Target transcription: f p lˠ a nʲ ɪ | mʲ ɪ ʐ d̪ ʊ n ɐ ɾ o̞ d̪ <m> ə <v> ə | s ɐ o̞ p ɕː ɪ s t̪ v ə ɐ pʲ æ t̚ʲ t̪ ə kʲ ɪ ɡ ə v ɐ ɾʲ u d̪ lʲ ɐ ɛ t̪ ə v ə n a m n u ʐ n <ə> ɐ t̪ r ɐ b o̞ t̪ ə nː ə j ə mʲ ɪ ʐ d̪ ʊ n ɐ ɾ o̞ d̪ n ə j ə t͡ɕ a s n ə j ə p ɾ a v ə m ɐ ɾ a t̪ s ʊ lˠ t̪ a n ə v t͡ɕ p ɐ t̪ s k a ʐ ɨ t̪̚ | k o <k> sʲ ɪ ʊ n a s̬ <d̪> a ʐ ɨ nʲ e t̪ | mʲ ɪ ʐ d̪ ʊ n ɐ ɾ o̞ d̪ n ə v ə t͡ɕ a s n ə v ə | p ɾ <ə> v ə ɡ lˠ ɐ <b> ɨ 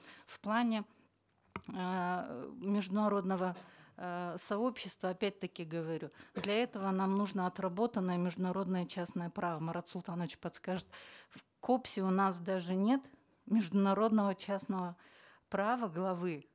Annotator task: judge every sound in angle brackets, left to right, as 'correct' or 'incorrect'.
incorrect: n, correct, correct, incorrect: p, correct, incorrect: a, incorrect: v

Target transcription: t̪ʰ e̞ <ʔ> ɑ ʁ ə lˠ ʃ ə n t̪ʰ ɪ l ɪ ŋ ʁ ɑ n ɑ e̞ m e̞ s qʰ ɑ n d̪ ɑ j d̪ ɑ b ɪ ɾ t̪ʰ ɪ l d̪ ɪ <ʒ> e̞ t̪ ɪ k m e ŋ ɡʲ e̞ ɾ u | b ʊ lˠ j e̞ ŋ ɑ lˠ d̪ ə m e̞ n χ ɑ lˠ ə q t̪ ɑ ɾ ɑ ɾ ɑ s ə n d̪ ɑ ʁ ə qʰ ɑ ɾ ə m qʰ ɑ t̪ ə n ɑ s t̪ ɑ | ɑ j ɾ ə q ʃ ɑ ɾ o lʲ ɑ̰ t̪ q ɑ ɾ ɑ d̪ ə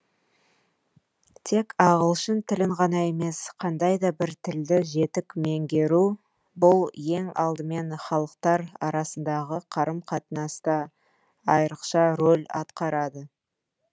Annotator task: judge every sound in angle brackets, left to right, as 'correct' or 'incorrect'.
incorrect: k, correct

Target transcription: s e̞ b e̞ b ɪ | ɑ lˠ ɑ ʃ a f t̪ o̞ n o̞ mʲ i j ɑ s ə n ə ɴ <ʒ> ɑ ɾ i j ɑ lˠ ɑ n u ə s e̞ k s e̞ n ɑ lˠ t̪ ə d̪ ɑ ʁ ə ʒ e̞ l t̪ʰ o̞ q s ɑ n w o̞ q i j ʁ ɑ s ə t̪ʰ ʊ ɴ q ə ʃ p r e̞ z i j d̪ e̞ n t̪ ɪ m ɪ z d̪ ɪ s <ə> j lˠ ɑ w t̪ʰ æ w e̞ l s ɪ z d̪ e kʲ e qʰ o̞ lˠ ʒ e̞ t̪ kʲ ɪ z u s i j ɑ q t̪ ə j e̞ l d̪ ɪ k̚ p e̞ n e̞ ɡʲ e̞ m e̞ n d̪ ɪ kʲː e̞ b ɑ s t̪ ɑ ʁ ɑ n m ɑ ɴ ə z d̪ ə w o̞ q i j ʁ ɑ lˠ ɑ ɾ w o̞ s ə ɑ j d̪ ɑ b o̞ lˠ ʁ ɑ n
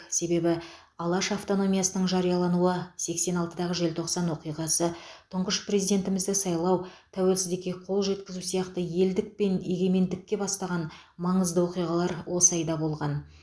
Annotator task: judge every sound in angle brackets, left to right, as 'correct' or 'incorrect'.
correct, incorrect: ɑ

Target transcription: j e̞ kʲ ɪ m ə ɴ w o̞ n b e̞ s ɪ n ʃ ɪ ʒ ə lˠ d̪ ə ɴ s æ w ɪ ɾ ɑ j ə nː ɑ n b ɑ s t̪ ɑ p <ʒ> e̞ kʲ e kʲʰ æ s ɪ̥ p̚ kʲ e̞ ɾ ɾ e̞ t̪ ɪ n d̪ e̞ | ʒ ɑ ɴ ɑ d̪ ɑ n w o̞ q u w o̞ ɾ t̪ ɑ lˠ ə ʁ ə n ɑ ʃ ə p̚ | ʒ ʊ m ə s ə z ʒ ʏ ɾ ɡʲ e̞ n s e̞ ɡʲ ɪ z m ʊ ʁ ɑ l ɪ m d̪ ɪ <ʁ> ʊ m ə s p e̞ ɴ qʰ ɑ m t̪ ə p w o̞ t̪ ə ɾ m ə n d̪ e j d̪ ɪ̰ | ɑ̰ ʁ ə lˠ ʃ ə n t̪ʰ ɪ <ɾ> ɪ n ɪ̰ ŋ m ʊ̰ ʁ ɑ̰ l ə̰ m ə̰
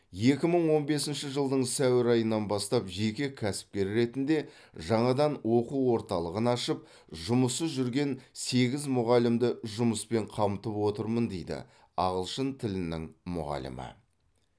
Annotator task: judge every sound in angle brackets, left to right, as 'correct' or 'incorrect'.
correct, incorrect: ʒ, incorrect: l

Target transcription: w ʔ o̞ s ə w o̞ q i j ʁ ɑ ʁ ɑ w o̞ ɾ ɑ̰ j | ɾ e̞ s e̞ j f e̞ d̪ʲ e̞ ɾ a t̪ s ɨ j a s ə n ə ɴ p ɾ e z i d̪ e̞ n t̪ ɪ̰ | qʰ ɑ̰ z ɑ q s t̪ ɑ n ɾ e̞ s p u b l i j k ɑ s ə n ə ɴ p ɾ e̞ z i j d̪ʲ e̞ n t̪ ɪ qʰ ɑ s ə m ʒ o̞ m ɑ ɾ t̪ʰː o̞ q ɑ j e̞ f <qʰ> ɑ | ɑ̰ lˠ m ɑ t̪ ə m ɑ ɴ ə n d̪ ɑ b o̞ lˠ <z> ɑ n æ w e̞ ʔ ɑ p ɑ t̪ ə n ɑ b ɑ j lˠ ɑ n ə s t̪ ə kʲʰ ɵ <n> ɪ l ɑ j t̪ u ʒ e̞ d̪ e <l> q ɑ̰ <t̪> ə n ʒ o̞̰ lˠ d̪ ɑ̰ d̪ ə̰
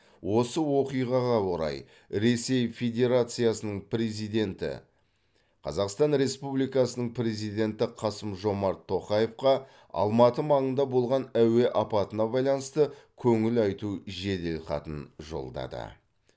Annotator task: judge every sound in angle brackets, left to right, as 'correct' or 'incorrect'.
incorrect: q, incorrect: ʁ, incorrect: ŋ, correct, correct

